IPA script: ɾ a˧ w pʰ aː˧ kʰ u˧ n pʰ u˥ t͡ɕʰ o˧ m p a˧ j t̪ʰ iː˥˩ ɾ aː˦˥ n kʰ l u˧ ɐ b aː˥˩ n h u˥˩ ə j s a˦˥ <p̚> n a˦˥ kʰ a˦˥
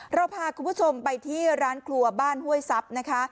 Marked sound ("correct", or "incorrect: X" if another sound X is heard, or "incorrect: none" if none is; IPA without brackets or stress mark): correct